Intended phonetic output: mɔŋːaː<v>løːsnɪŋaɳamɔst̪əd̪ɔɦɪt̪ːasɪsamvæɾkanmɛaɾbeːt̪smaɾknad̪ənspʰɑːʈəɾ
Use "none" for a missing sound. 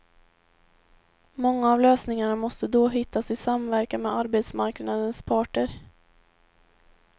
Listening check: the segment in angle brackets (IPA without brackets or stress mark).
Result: v